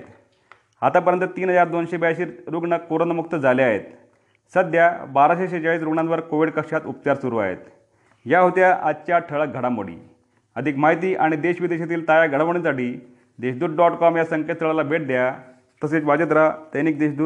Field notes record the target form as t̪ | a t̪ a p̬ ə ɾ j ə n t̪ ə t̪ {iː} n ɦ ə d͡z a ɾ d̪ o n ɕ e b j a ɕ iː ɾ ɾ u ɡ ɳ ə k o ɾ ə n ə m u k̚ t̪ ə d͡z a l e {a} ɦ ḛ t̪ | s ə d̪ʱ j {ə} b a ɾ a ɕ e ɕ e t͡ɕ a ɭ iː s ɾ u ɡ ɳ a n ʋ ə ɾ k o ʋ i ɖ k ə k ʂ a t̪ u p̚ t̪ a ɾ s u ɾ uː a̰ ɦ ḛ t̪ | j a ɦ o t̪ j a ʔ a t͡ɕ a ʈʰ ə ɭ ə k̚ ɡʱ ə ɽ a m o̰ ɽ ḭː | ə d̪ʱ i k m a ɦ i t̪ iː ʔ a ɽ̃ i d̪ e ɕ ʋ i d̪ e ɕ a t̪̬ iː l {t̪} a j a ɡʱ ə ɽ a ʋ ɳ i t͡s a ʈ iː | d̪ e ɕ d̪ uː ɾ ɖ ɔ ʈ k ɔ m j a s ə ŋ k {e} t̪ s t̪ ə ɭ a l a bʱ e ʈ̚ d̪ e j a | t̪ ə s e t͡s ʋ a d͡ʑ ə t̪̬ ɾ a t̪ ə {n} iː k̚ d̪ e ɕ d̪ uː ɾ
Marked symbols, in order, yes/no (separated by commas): yes, yes, no, yes, yes, yes